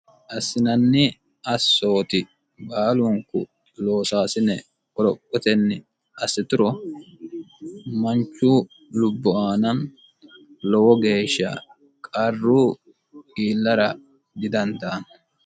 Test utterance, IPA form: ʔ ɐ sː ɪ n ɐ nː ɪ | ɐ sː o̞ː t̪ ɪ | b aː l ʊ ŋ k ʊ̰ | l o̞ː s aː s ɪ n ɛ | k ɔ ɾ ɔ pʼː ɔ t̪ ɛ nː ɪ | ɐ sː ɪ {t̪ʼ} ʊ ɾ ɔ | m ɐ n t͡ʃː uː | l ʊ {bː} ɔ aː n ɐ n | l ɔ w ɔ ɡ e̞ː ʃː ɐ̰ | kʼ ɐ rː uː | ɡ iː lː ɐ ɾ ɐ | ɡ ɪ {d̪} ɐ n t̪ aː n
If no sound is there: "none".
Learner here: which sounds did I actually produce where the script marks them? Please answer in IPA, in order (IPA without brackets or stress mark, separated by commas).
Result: t̪, bː, d̪